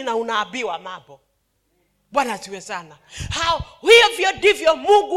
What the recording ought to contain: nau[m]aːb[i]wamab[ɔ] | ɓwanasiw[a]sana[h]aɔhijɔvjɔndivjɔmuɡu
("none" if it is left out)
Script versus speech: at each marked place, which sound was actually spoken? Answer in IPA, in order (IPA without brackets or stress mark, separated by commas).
n, i, ɔ, ɛ, h